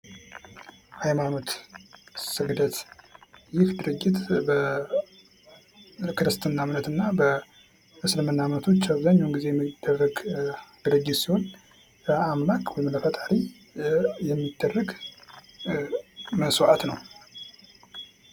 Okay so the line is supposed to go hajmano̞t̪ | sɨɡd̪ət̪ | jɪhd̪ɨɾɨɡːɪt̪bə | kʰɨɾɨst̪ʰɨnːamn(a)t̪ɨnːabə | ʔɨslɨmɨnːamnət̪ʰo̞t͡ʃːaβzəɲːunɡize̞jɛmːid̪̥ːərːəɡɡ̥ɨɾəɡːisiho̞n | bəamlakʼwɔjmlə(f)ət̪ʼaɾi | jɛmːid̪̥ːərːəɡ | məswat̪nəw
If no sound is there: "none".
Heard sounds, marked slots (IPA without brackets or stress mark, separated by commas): ə, f